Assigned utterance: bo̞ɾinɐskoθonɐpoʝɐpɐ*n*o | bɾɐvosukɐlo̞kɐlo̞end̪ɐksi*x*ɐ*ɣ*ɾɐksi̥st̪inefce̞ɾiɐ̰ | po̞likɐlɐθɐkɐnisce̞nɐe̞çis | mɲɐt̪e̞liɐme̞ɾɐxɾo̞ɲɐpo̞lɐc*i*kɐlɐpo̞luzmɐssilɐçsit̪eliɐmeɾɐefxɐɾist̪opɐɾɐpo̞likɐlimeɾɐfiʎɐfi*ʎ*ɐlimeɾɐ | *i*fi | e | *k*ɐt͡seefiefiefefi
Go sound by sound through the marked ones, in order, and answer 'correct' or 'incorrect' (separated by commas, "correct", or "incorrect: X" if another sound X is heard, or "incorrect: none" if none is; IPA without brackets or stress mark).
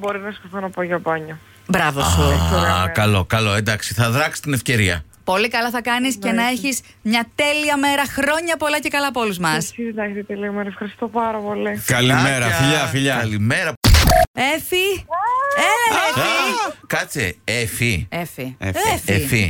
incorrect: ɲ, incorrect: θ, incorrect: ð, incorrect: e, correct, incorrect: e, correct